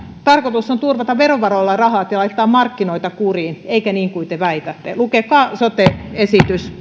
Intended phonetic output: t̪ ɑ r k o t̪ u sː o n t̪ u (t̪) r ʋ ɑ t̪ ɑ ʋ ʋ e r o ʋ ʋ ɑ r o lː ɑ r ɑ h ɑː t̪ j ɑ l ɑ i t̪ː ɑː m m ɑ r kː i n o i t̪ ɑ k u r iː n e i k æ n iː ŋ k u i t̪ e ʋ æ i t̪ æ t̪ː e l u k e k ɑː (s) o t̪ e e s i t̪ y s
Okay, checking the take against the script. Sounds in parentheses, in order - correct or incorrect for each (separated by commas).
incorrect, correct